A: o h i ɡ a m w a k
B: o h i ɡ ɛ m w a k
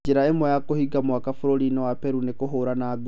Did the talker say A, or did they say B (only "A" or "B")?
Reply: A